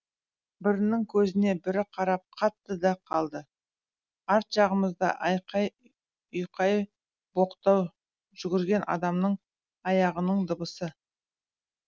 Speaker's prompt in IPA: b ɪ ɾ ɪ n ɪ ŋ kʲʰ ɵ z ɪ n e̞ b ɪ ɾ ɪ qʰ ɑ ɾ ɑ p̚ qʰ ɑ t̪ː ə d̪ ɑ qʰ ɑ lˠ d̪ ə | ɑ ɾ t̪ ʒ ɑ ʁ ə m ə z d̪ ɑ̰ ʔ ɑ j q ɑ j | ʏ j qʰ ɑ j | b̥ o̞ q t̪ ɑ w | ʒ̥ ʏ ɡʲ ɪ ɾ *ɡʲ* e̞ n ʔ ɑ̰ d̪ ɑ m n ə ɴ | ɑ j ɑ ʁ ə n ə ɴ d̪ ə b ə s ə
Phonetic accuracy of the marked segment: correct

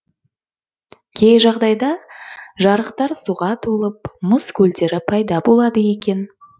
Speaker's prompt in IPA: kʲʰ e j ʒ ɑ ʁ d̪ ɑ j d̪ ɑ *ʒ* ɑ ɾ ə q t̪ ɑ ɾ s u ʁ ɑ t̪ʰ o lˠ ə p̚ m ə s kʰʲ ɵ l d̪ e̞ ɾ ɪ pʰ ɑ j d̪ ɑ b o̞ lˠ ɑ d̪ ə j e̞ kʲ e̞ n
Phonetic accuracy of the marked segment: correct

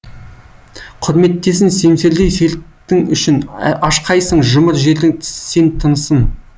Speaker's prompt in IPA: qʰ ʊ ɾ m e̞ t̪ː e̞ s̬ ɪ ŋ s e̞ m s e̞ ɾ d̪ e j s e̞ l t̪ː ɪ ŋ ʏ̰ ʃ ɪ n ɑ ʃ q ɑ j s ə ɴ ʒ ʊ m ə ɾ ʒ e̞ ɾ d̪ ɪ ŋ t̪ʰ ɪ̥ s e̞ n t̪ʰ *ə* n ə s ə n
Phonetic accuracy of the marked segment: correct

